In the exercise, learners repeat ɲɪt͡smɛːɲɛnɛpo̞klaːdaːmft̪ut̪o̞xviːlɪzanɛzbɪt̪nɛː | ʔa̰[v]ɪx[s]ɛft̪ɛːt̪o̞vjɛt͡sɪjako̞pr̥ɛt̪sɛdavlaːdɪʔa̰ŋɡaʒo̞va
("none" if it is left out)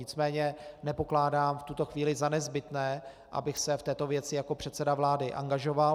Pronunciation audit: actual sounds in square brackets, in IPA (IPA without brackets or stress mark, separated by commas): b, s